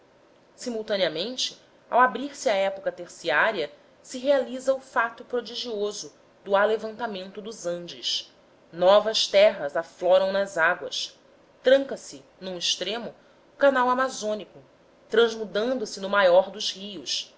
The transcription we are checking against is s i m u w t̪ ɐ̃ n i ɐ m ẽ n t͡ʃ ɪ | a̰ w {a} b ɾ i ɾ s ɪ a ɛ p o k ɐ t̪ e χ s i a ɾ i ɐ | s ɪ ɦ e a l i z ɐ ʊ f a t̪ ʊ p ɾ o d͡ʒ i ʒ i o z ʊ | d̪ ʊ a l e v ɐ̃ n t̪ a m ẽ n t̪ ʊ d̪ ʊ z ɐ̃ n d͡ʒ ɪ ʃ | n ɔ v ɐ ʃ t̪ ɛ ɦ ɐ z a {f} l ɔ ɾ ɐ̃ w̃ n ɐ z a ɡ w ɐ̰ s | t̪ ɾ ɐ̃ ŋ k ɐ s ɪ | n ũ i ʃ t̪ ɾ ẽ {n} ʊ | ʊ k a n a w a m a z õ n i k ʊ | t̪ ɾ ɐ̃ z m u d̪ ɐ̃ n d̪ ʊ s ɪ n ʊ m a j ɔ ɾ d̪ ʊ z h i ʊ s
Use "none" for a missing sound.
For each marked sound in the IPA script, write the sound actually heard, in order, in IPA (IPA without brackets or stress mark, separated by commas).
a, f, m